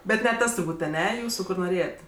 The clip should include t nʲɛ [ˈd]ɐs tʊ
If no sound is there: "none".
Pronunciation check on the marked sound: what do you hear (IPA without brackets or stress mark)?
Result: t